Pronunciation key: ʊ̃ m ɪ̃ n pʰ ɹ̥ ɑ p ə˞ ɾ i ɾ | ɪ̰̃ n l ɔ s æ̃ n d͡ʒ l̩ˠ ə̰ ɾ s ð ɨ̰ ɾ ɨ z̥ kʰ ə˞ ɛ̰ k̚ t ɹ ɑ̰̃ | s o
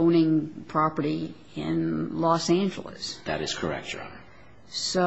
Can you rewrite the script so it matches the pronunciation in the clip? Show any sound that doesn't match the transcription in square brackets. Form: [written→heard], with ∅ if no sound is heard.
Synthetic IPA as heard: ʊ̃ [m→n] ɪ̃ [n→ŋ] pʰ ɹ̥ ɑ p ə˞ ɾ i [ɾ→∅] | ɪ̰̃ n l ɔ s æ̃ n d͡ʒ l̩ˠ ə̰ [ɾ→∅] s ð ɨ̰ ɾ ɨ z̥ kʰ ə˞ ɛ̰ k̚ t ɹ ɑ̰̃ | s o